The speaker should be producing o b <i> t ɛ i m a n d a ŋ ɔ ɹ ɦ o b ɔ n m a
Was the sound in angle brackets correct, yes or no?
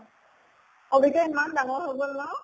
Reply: yes